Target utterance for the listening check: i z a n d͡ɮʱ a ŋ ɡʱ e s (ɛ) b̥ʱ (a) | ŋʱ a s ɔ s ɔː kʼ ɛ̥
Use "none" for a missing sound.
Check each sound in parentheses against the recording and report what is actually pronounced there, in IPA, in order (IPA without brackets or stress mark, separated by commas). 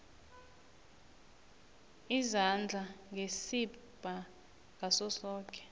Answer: i, a